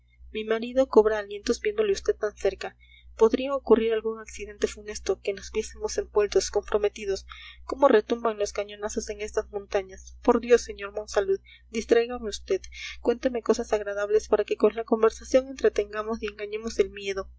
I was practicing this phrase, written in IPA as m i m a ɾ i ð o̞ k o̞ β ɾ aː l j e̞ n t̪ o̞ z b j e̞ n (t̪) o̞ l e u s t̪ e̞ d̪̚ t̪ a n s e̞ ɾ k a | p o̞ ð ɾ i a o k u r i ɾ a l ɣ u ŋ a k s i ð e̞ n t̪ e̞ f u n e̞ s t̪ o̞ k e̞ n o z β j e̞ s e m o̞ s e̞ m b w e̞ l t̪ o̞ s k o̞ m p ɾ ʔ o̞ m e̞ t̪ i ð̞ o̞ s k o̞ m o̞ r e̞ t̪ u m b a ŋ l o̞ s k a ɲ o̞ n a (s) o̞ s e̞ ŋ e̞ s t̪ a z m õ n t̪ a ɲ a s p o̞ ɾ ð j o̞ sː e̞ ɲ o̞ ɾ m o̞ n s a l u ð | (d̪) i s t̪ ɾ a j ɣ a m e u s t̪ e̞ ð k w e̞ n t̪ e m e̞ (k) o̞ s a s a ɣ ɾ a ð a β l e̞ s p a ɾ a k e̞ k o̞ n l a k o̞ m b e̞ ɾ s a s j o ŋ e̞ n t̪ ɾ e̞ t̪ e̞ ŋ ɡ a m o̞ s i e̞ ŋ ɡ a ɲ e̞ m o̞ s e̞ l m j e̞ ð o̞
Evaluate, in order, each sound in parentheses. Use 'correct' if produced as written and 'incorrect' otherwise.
incorrect: d̪, correct, correct, correct

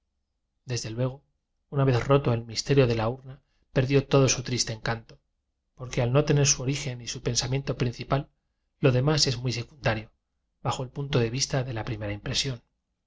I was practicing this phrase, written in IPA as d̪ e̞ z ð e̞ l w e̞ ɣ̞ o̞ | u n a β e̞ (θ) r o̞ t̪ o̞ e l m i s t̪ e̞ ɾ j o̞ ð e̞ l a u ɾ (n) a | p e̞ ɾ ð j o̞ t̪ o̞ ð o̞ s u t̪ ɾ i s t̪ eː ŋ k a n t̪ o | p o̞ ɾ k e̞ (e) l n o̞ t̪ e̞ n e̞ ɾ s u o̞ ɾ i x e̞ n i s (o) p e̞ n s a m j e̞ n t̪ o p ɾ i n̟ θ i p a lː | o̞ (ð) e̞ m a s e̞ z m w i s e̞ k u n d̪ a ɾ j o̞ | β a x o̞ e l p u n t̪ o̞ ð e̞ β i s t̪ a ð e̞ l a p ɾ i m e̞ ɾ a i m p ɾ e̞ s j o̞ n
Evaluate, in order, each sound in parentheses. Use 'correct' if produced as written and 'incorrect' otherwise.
correct, correct, incorrect: a, incorrect: u, correct

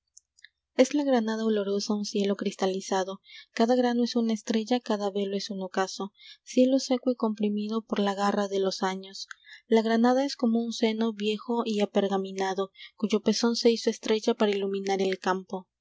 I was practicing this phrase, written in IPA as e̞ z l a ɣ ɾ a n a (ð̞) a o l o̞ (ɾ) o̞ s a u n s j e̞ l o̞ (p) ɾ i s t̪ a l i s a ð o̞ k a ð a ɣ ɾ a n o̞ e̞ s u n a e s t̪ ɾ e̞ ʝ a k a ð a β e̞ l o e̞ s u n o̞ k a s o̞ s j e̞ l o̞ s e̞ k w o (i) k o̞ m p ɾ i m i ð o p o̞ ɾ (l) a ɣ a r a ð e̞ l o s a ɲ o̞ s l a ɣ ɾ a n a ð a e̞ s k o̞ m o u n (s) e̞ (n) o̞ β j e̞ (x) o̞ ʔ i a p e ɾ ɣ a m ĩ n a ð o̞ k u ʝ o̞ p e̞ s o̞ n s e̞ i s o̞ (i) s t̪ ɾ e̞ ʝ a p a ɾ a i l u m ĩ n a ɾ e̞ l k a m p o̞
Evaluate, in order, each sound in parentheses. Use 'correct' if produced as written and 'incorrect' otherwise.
correct, correct, incorrect: k, correct, correct, correct, correct, correct, incorrect: e

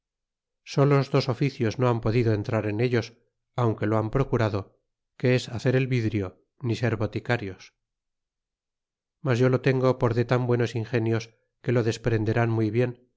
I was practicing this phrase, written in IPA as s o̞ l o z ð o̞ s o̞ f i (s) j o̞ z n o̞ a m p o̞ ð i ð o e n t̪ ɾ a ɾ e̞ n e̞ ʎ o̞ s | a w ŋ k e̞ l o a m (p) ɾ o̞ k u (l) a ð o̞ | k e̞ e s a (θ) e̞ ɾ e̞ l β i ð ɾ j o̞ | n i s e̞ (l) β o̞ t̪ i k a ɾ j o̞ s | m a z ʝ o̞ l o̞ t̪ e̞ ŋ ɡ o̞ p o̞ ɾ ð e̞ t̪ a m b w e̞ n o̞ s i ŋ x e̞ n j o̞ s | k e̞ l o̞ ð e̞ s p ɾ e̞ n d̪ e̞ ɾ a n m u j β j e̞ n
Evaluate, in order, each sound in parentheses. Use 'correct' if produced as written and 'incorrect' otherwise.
incorrect: θ, correct, incorrect: ɾ, correct, incorrect: ɾ

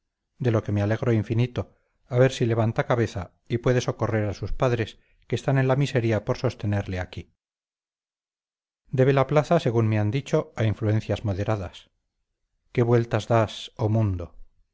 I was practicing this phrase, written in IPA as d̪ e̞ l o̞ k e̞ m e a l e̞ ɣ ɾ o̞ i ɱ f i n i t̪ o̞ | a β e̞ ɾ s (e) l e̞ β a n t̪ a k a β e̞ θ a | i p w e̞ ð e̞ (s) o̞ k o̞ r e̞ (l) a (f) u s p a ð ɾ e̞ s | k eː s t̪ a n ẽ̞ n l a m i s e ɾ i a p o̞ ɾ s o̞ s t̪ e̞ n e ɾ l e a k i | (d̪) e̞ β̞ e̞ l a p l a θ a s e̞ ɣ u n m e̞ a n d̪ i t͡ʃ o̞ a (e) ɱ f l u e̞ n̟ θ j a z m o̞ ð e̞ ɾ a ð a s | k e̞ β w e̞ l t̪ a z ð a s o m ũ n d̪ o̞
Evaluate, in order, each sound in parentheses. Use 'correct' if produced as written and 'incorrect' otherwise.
incorrect: i, correct, incorrect: ɾ, incorrect: s, correct, incorrect: i

